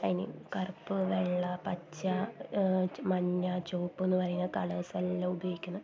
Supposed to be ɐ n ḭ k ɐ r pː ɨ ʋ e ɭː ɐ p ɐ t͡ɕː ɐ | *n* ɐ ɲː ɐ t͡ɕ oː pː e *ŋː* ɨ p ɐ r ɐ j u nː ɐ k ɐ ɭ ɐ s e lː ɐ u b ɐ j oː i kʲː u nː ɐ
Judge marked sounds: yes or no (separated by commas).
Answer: no, no